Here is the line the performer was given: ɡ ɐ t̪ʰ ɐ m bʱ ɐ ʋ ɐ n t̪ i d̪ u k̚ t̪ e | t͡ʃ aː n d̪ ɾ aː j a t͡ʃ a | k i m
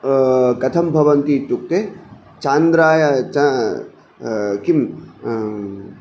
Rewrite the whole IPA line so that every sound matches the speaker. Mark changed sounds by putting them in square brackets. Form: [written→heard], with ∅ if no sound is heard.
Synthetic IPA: [ɡ→k] ɐ t̪ʰ ɐ m bʱ ɐ ʋ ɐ n t̪ i [d̪→t̪] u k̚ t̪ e | t͡ʃ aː n d̪ ɾ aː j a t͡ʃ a | k i m